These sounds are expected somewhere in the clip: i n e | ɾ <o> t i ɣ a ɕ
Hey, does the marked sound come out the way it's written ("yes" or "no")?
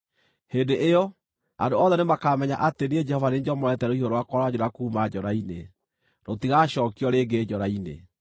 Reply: yes